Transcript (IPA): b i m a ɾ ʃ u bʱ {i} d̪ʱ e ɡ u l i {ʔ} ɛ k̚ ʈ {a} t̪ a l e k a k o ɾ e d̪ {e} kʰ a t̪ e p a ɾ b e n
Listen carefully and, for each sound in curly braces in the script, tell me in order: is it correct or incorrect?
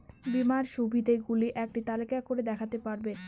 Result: correct, correct, incorrect, incorrect

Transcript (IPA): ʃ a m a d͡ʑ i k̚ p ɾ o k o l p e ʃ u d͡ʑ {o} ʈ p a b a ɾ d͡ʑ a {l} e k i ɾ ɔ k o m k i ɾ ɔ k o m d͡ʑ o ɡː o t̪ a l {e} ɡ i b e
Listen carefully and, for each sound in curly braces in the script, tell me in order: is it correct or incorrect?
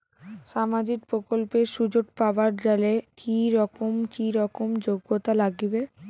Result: correct, correct, incorrect

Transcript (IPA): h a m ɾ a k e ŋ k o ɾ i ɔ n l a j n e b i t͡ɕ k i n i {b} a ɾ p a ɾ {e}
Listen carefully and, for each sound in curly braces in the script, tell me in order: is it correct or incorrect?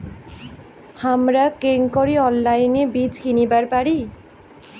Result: correct, incorrect

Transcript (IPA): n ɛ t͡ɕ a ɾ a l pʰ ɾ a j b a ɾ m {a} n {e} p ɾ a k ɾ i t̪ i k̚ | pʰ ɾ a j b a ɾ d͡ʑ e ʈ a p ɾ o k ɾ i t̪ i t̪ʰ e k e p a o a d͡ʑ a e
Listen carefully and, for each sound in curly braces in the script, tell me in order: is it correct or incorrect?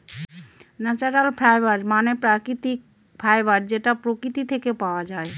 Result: correct, correct

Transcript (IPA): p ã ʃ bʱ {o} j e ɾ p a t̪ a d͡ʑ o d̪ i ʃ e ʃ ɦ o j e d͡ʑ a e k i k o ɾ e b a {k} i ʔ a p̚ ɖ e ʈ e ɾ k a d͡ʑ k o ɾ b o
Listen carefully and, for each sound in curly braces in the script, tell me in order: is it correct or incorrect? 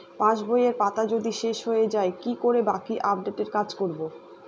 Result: correct, correct

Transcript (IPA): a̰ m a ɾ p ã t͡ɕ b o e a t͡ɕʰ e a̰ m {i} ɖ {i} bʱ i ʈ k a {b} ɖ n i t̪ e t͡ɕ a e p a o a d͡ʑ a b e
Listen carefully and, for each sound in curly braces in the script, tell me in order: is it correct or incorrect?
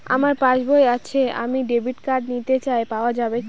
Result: correct, incorrect, incorrect

